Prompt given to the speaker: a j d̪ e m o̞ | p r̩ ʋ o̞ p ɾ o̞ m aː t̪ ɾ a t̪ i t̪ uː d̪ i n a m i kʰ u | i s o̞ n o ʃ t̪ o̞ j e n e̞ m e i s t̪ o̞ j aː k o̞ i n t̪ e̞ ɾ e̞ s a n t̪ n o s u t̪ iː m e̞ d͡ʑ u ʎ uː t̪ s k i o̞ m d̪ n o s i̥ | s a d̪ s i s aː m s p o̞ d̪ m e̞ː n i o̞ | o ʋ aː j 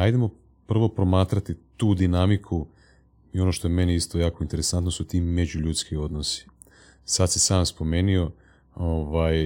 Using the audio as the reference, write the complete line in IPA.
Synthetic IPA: a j d̪ e m o̞ | p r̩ ʋ o̞ p ɾ o̞ m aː t̪ ɾ a t̪ i t̪ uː d̪ i n a m i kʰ u | i o̞ n o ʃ t̪ o̞ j e m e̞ n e i s t̪ o̞ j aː k o̞ i n t̪ e̞ ɾ e̞ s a n t̪ n o s u t̪ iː m e̞ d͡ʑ u ʎ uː t̪ s k i o̞ d̪ n o s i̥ | s a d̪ s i s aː m s p o̞ m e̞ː n i o̞ | o ʋ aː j